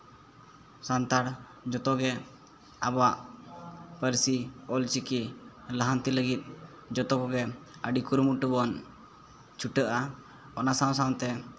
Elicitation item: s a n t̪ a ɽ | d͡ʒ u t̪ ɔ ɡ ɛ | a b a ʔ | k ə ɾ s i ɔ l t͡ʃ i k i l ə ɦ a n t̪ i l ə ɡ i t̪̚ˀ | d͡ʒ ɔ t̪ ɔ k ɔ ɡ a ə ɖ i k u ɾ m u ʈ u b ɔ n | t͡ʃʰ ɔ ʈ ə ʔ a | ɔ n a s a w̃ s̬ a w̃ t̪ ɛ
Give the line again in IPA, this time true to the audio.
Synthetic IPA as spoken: s a n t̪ a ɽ | d͡ʒ ɔ t̪ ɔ ɡ ɛ | a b a ʔ | p ə ɾ s i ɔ l t͡ʃ i k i l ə ɦ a n t̪ i l ə ɡ i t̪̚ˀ | d͡ʒ ɔ t̪ ɔ k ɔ ɡ ɛ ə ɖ i k u ɾ m u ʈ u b ɔ n | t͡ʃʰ u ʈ ə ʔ a | ɔ n a s a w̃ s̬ a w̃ t̪ ɛ